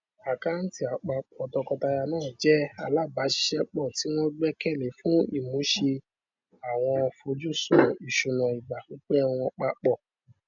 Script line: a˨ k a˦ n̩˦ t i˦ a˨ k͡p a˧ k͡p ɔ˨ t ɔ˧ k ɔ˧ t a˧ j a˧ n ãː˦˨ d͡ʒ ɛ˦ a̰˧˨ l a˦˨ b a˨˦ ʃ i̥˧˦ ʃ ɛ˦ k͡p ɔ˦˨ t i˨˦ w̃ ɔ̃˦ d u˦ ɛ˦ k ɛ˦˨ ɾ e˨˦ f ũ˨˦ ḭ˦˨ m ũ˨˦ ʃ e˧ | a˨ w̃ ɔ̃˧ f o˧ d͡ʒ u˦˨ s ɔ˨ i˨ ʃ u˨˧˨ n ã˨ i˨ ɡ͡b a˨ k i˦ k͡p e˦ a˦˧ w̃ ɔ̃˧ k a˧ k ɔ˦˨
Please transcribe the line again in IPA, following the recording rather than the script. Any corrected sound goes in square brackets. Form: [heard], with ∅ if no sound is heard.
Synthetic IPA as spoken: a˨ k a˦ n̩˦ t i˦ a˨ k͡p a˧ k͡p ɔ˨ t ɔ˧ k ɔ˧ t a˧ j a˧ n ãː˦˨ d͡ʒ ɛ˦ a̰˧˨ l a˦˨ b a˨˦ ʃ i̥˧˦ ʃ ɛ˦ k͡p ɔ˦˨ t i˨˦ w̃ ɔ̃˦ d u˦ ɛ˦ k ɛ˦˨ [l] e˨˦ f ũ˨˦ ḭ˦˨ m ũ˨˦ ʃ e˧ | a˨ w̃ ɔ̃˧ f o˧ d͡ʒ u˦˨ s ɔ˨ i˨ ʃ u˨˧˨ n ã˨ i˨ ɡ͡b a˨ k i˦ k͡p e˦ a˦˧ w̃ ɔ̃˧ [k͡p] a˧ [k͡p] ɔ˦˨